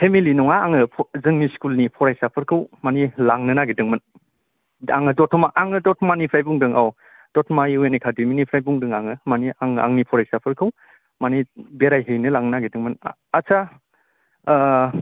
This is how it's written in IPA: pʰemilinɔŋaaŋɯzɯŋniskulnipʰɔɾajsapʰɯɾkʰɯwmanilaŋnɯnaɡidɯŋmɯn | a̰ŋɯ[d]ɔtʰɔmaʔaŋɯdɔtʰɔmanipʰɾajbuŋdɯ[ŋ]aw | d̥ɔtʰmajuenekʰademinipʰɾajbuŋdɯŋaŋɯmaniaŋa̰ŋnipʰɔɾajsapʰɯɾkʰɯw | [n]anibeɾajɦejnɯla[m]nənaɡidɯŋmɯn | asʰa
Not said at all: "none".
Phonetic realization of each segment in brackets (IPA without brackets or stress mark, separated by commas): d, ŋ, m, ŋ